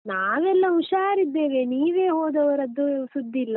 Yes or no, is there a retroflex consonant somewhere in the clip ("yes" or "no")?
no